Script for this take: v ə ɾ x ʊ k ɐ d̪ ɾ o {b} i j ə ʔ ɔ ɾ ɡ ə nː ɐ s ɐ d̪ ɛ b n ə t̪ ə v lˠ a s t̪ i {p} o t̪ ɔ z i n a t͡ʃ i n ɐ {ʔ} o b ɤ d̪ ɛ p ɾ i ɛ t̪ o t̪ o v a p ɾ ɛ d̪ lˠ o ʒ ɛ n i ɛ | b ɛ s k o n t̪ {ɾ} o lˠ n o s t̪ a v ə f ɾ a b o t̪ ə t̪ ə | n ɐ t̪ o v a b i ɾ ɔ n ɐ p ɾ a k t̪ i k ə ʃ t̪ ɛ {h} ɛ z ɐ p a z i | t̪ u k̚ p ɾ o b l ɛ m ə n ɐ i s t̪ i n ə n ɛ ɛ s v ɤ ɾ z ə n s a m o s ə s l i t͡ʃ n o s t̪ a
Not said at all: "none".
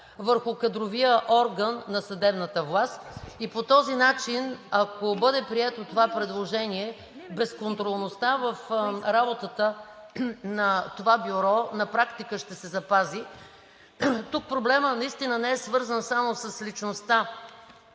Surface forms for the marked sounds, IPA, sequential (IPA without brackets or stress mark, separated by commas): v, p, k, ɾ, s